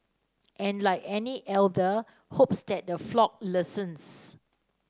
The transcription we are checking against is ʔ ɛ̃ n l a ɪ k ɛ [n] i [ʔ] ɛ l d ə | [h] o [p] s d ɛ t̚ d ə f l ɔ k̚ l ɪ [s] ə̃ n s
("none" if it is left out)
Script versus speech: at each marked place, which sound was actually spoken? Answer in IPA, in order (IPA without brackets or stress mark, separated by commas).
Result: n, ʔ, h, p, s